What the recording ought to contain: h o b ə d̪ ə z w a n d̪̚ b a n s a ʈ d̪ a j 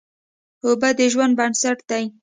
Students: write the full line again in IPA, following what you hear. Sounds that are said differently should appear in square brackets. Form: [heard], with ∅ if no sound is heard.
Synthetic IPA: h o b [a] d̪ ə [ʒ] w a n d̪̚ b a n s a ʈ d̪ a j